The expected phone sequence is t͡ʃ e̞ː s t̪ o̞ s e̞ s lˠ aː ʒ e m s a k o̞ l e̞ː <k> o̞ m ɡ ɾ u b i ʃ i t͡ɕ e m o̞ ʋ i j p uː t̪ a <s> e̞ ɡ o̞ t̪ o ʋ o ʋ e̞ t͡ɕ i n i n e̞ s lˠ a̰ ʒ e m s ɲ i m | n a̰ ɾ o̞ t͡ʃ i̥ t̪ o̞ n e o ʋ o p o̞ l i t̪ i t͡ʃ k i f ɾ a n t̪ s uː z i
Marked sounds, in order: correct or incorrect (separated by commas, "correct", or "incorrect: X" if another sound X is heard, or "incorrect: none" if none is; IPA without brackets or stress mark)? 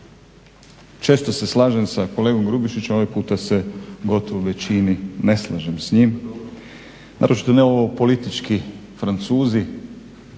incorrect: ɡ, correct